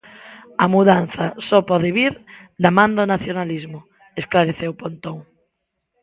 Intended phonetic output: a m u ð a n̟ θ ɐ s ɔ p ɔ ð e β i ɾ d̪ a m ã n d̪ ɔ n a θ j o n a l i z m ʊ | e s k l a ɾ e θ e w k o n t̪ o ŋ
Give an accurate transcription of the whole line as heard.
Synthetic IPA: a m u ð a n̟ θ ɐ s ɔ p ɔ ð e β i ɾ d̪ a m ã n d̪ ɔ n a θ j o n a l i z m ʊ | e s k l a ɾ e θ e w p o n t̪ o ŋ

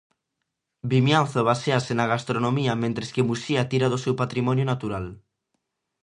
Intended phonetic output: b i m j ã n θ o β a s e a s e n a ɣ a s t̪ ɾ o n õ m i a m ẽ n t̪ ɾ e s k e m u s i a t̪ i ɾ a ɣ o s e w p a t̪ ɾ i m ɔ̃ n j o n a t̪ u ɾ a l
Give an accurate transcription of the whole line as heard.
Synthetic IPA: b i m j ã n θ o β a s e a s e n a ɣ a s t̪ ɾ o n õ m i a m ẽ n t̪ ɾ e s k e m u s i a t̪ i ɾ a ð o s e w p a t̪ ɾ i m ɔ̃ n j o n a t̪ u ɾ a l

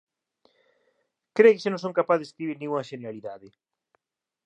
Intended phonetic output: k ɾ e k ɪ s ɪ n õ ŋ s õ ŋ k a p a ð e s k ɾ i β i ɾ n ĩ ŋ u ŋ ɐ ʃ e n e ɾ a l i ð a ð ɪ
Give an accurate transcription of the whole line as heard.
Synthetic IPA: k ɾ e k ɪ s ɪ n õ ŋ s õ ŋ k a p a ð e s k ɾ i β i ɾ n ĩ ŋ u ŋ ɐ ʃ e n e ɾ a l i ð a ð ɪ

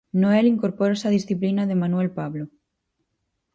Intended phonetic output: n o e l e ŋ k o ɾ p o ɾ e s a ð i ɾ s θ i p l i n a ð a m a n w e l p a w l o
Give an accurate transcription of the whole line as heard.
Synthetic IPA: n o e l i ŋ k o ɾ p o ɾ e s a ð i s θ i p l i n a ð e m a n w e l p a β l o

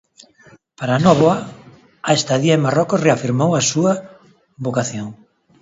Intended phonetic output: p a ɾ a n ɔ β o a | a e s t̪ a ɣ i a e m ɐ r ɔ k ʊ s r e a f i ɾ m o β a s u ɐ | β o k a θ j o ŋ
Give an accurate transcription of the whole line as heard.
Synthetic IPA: p a ɾ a n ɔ β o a | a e s t̪ a ð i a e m a r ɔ k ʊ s r e a f i ɾ m o w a s u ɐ | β o k a θ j o ŋ

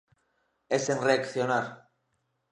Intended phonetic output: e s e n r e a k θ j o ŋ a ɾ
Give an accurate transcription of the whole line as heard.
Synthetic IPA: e s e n r e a k θ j o n a ɾ

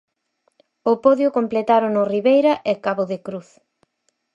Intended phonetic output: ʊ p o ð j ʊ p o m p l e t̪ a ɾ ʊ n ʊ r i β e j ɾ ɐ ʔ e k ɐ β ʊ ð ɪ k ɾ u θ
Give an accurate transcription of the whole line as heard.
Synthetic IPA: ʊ p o ð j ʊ k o m p l e t̪ a ɾ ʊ n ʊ r i β e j ɾ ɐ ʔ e k a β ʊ ð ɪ k ɾ u θ

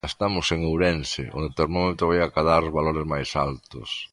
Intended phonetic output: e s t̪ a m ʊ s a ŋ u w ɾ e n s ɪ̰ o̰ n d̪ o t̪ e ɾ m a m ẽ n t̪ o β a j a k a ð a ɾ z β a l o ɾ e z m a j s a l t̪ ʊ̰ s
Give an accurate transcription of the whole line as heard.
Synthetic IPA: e s t̪ a m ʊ s e ŋ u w ɾ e n s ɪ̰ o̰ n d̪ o t̪ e ɾ m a m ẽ n t̪ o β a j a k a ð a ɾ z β a l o ɾ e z m a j s a l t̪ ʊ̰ s

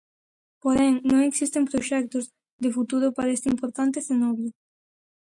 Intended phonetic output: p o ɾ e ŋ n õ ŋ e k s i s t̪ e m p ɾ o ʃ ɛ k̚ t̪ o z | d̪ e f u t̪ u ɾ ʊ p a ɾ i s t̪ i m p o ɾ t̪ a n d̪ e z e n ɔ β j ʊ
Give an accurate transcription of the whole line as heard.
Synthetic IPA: p o ɾ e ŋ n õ ŋ e k s i s t̪ e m p ɾ o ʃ ɛ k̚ t̪ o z | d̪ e f u t̪ u ɾ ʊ p a ɾ e s t̪ i m p o ɾ t̪ a n t̪ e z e n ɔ β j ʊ

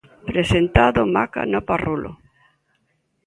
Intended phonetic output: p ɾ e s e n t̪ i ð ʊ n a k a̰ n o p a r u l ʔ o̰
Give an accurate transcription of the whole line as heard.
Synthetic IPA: p ɾ e s e n t̪ a ð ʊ m a k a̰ n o p a r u l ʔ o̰

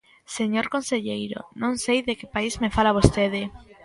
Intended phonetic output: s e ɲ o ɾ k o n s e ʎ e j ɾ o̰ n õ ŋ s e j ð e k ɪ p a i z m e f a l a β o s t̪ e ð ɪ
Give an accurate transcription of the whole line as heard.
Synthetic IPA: s e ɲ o ɾ k o n s e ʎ e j ɾ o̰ n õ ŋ s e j ð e k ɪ p a i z m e f a l a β o s t̪ e ð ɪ

